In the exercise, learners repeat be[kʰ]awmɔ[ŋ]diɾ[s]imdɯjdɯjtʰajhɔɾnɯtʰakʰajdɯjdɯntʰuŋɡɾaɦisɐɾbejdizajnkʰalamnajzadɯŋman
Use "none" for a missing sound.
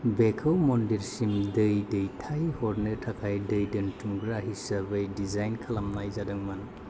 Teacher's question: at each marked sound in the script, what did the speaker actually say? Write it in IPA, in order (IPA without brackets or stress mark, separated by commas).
kʰ, n, s